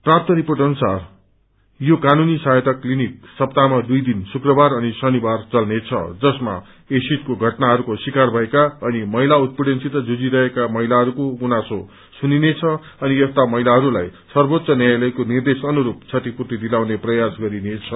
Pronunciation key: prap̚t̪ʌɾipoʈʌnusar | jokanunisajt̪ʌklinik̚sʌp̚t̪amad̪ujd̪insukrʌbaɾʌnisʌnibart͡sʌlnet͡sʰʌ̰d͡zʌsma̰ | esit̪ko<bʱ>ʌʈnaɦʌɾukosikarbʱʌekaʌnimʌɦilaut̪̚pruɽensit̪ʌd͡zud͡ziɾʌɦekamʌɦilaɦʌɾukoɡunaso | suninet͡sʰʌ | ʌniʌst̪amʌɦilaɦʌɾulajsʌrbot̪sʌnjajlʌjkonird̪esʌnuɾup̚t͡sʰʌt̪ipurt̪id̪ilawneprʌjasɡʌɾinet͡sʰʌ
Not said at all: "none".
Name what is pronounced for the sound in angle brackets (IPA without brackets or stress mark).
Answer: ɡʱ